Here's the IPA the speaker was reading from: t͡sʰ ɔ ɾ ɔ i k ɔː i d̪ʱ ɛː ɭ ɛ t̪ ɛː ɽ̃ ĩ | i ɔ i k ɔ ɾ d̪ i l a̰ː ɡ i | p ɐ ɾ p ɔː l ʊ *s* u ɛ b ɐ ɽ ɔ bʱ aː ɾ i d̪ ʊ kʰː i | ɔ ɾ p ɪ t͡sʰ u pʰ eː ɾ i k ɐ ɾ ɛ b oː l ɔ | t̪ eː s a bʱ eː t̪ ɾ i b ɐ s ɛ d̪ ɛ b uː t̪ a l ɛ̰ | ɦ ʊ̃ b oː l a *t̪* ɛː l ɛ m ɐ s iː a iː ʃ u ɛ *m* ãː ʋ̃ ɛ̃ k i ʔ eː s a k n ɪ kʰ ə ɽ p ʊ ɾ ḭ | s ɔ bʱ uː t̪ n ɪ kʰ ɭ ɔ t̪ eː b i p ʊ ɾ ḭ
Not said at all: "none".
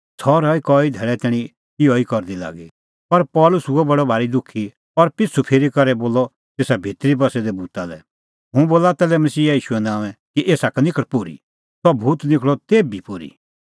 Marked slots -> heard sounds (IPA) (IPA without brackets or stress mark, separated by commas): s, t̪, n